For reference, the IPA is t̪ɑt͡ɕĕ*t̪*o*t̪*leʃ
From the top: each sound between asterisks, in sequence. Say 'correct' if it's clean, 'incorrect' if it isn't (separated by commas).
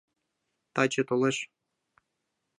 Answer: correct, incorrect